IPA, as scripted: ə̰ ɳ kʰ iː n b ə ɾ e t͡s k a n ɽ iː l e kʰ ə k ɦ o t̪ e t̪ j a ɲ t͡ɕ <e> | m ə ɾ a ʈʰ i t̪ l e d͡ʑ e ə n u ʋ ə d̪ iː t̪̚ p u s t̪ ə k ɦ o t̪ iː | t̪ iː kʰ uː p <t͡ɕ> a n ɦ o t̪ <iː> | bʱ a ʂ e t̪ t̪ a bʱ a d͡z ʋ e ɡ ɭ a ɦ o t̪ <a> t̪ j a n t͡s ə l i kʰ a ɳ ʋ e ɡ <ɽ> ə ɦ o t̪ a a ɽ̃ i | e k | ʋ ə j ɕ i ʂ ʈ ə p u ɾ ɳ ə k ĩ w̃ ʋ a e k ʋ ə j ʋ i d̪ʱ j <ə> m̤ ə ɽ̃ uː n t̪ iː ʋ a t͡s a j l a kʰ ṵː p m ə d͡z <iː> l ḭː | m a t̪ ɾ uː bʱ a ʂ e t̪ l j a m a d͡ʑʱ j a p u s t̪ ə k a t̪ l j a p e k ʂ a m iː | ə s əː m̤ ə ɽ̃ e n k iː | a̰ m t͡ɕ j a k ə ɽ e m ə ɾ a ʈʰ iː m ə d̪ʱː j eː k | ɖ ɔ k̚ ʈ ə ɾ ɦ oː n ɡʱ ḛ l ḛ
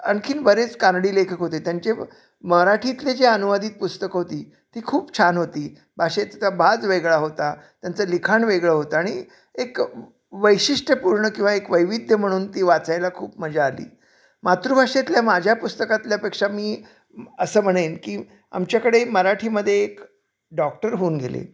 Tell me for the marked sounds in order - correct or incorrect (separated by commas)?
correct, incorrect, correct, correct, incorrect, correct, incorrect